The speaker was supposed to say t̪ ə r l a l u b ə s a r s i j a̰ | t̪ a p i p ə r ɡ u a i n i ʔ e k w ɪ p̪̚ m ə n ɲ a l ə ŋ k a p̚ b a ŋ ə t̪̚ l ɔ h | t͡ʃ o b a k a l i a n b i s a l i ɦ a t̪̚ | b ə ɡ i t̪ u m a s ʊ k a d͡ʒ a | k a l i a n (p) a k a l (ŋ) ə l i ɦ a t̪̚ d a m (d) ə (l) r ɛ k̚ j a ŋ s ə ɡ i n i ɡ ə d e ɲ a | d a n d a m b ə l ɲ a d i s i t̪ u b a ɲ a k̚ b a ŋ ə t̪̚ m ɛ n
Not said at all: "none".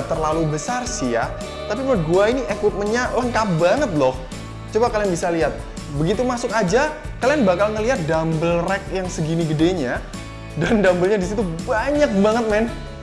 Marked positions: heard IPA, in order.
b, ŋ, b, l

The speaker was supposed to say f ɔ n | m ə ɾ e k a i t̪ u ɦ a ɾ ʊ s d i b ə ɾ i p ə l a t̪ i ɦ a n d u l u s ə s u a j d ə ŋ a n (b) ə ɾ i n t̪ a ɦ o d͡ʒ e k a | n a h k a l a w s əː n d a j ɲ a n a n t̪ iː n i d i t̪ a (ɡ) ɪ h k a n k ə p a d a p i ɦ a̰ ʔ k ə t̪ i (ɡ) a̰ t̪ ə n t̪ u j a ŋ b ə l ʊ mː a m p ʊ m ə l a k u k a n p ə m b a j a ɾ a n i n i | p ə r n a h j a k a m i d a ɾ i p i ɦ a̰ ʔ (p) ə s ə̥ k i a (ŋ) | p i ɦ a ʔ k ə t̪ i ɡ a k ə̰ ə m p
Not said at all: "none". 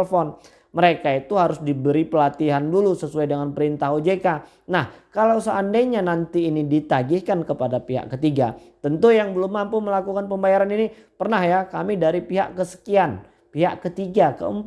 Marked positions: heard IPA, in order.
p, ɡ, ɡ, k, n

